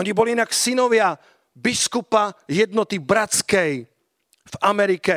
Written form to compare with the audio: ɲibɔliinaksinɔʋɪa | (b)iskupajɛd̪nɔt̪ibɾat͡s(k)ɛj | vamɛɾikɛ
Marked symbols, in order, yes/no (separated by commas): yes, yes